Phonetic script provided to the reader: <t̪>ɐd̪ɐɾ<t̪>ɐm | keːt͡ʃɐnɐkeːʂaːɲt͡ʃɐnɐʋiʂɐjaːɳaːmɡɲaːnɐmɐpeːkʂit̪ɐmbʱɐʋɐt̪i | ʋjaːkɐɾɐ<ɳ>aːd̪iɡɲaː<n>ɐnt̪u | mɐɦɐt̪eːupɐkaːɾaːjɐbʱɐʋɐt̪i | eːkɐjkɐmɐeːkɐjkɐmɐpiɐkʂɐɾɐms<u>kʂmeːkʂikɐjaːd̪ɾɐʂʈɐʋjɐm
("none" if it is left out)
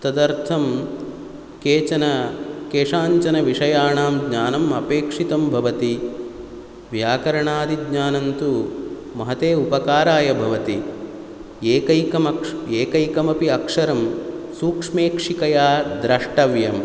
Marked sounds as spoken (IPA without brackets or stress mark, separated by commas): t̪, t̪ʰ, ɳ, n, uː